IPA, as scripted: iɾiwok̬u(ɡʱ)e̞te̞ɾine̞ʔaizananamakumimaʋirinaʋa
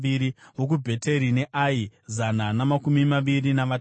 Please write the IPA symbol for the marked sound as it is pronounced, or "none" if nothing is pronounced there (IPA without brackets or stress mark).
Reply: bʱ